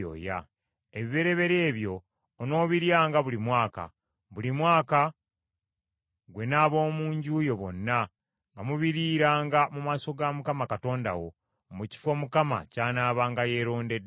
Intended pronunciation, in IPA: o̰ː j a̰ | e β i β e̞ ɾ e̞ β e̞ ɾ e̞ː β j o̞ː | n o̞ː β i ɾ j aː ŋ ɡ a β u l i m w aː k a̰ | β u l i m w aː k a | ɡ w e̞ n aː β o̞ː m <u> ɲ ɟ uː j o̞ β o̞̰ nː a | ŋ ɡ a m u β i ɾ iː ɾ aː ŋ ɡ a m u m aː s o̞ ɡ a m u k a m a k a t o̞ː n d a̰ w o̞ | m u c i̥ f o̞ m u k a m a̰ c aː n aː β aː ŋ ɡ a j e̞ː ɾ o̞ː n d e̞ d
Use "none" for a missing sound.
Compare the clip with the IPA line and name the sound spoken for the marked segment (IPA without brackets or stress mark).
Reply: uː